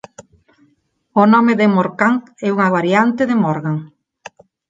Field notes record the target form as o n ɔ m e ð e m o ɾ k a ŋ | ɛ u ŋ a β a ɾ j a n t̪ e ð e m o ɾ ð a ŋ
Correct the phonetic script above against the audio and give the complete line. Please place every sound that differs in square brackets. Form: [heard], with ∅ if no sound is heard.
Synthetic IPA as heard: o n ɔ m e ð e m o ɾ k a ŋ | ɛ u ŋ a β a ɾ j a n t̪ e ð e m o ɾ [ɣ] a ŋ

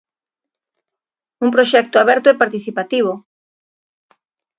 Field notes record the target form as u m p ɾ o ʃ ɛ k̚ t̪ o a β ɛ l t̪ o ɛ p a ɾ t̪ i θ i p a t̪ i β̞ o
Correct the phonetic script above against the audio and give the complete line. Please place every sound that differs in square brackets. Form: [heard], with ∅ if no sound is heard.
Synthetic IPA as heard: u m p ɾ o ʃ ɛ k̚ t̪ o a β ɛ [ɾ] t̪ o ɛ p a ɾ t̪ i θ i p a t̪ i β̞ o

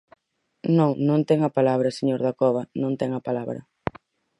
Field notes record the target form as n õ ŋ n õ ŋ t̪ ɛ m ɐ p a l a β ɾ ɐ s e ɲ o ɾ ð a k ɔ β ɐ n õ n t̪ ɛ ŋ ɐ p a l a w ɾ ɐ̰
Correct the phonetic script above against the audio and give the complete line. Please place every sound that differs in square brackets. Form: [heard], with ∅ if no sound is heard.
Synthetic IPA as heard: n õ ŋ n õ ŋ t̪ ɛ [ŋ] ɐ p a l a β ɾ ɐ s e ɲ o ɾ ð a k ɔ β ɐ n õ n t̪ ɛ ŋ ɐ p a l a [β] ɾ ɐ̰

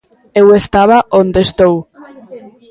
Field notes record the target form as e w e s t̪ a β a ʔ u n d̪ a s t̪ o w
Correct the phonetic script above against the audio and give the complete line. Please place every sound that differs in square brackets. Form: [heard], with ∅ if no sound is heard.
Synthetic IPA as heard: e w e s t̪ a β a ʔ [o] n d̪ [e] s t̪ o w

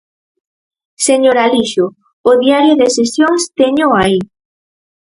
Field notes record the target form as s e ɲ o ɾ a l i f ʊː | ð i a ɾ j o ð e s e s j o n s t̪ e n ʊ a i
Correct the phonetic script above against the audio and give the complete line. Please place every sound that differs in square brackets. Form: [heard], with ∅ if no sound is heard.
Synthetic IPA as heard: s e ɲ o ɾ a l i [ʃ] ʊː | ð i a ɾ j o ð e s e s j o [ŋ] s t̪ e [ɲ] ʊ a i

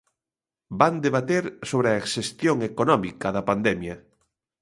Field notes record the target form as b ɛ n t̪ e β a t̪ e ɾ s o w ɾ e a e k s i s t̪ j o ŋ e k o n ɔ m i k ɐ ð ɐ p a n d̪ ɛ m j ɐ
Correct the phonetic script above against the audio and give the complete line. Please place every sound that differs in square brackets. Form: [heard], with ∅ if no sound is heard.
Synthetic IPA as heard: b [a] n [d̪] e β a t̪ e ɾ s o [β] ɾ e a e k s [e] s t̪ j o ŋ e k o n ɔ m i k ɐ ð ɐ p a n d̪ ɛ m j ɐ

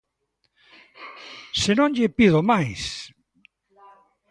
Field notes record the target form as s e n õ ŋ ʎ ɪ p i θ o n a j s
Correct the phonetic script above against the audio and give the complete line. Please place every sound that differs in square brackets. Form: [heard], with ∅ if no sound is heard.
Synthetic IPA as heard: s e n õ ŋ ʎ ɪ p i [ð] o [m] a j s

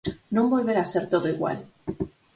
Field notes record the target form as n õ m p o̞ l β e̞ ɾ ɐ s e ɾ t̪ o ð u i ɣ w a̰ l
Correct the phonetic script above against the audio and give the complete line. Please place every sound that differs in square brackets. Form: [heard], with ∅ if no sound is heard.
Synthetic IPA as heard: n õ m [b] o̞ l β e̞ ɾ [a] s e ɾ t̪ o ð [o] i ɣ w a̰ l

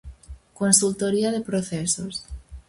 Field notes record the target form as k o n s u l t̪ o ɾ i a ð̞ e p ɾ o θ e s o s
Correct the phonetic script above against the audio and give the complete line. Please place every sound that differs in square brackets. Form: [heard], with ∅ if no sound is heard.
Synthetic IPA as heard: k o n s u l t̪ o ɾ i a ð̞ e p ɾ o θ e s o s

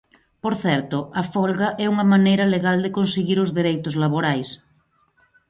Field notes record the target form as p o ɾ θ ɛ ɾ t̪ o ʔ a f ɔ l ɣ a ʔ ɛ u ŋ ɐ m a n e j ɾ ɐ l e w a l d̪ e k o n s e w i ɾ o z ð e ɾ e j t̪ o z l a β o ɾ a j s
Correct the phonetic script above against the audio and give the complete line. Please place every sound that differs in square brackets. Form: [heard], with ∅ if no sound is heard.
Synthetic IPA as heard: p o ɾ θ ɛ ɾ t̪ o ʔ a f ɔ l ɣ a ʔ ɛ u ŋ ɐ m a n e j ɾ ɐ l e [ɣ] a l d̪ e k o n s e [ɣ] i ɾ o z ð e ɾ e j t̪ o z l a β o ɾ a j s

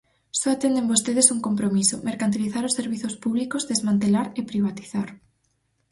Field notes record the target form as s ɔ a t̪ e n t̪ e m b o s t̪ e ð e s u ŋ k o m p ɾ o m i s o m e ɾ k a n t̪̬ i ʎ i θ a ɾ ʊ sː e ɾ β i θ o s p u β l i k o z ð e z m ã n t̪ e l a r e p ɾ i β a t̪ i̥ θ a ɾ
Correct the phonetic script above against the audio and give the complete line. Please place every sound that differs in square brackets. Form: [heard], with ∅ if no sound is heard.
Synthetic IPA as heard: s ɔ a t̪ e n [d̪] e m b o s t̪ e ð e s u ŋ k o m p ɾ o m i s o m e ɾ k a n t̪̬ i [l] i θ a ɾ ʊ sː e ɾ β i θ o s p u β l i k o z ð e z m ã n t̪ e l a [ɾ] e p ɾ i β a t̪ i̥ θ a ɾ

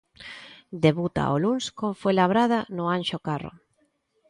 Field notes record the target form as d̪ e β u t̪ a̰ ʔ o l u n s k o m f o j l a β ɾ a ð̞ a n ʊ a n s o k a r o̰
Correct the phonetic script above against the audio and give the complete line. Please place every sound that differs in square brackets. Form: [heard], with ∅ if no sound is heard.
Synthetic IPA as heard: d̪ e β u t̪ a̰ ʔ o l u n s k o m f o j l a β ɾ a ð̞ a n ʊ a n [ʃ] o k a r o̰

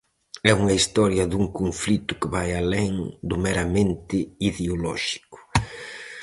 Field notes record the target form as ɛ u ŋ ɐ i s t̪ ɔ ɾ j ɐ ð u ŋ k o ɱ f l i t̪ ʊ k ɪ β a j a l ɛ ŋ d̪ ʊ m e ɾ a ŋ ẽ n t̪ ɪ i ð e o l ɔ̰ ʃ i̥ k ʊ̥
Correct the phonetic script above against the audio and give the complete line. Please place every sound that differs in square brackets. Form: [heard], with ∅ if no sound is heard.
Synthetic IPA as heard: ɛ u ŋ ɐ i s t̪ ɔ ɾ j ɐ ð u ŋ k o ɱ f l i t̪ ʊ k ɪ β a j a l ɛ ŋ d̪ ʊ m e ɾ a [m] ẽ n t̪ ɪ i ð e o l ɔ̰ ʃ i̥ k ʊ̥

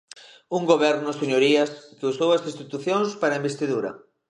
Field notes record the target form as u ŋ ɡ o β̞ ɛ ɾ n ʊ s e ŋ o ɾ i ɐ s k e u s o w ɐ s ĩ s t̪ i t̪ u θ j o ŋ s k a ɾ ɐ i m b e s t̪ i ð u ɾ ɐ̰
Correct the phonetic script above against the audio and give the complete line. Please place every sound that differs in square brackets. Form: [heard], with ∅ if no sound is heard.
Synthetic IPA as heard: u ŋ ɡ o β̞ ɛ ɾ n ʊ s e [ɲ] o ɾ i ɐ s k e u s o w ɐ s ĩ s t̪ i t̪ u θ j o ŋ s [p] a ɾ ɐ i m b e s t̪ i ð u ɾ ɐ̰

